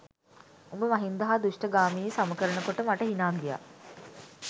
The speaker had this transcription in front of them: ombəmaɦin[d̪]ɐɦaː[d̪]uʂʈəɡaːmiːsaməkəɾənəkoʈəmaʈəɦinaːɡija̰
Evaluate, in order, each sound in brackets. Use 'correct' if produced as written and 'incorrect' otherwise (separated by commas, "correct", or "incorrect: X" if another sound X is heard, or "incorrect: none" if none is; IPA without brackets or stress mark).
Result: correct, correct